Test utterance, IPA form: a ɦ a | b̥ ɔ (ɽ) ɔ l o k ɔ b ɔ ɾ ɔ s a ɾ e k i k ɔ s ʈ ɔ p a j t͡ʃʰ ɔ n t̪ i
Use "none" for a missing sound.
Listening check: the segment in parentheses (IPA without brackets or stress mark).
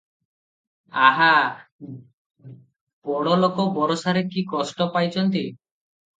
ɽ